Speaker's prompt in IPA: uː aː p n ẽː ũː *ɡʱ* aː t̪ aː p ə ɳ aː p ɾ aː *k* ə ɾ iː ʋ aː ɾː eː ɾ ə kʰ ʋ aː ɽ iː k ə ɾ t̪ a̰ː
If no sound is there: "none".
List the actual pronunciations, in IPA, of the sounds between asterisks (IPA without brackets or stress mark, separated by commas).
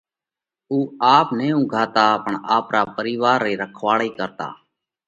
ɡʱ, p